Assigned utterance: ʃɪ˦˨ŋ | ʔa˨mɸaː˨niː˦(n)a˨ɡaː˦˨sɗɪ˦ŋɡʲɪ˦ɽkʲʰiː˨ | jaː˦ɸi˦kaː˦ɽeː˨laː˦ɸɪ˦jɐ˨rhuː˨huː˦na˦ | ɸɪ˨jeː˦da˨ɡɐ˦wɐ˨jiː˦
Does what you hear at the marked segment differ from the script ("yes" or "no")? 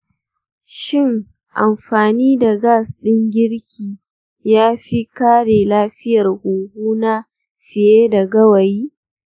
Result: yes